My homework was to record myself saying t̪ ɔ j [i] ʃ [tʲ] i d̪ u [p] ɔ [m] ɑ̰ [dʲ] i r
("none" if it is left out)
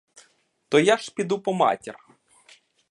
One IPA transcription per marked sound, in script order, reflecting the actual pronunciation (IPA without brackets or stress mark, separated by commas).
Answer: a, pʲ, p, m, tʲ